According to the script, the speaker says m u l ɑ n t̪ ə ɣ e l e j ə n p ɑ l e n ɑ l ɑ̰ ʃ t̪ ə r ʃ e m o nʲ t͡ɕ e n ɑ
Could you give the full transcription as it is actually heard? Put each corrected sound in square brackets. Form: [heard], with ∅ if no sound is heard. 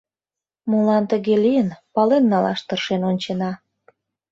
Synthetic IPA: m u l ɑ n t̪ ə ɣ e l [i] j ə n p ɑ l e [nː] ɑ l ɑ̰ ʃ t̪ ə r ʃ e [n] o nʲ t͡ɕ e n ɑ